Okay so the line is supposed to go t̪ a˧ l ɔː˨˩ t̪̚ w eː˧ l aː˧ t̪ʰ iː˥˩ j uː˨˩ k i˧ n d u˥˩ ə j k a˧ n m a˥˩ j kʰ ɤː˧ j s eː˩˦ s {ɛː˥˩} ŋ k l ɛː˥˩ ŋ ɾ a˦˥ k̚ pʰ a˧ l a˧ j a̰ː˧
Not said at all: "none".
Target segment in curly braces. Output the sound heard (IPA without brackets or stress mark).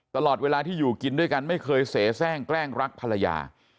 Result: ɛː˥˩